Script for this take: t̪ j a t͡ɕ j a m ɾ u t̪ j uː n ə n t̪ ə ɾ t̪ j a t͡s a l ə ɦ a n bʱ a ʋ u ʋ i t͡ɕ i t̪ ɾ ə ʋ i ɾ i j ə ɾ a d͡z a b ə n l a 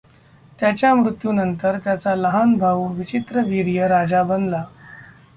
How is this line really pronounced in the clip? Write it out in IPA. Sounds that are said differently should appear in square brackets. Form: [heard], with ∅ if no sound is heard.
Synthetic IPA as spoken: t̪ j a t͡ɕ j a m ɾ u t̪ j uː n ə n t̪ ə ɾ t̪ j a t͡s a l ə ɦ a n bʱ a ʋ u ʋ i t͡ɕ i t̪ ɾ ə ʋ i ɾ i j ə ɾ a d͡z a b ə n l a